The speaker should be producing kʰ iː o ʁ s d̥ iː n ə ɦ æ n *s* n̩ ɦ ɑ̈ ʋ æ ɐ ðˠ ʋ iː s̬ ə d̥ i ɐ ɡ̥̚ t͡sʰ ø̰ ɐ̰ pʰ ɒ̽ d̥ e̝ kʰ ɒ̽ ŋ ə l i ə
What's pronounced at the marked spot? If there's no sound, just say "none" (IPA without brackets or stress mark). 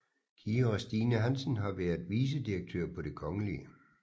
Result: s